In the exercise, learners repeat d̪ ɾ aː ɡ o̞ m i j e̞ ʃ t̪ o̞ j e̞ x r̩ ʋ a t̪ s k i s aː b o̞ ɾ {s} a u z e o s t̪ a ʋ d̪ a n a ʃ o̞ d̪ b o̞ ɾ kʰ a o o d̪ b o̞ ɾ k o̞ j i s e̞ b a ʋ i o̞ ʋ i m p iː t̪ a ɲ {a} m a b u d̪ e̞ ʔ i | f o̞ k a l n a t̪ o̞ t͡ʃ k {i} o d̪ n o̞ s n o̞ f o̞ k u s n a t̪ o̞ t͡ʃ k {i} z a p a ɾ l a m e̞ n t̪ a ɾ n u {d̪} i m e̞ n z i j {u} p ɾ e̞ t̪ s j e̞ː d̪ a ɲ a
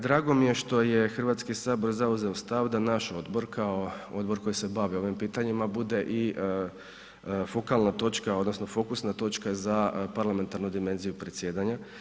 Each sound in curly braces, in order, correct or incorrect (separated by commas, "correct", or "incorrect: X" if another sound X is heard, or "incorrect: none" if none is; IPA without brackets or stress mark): incorrect: z, incorrect: i, incorrect: a, incorrect: a, correct, correct